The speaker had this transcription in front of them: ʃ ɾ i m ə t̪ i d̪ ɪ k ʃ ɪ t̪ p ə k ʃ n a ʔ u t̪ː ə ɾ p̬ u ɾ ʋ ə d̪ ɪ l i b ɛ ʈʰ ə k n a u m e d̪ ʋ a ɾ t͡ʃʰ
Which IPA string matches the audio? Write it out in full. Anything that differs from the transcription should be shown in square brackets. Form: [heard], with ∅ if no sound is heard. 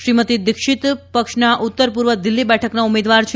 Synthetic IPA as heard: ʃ ɾ i m ə t̪ i d̪ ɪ k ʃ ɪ t̪ p ə k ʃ n a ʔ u t̪ː ə ɾ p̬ u ɾ ʋ ə d̪ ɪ [lː] i b ɛ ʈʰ ə k n a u m e d̪ ʋ a ɾ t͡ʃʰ